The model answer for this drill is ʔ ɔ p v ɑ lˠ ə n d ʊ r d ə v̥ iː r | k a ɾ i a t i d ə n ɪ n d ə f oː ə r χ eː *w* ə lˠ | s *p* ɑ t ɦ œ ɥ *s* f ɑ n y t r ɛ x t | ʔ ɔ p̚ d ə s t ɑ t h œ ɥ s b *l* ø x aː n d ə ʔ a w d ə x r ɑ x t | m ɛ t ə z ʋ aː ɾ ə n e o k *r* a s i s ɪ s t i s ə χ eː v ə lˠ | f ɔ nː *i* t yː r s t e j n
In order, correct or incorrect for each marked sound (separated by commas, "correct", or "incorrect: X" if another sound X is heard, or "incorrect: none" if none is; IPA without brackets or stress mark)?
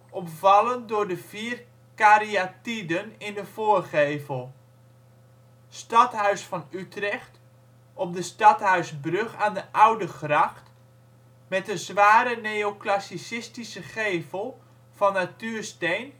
incorrect: v, incorrect: t, correct, incorrect: r, incorrect: l, incorrect: a